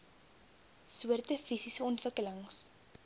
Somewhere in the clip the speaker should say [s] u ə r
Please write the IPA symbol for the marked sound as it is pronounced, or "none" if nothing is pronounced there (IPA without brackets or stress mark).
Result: s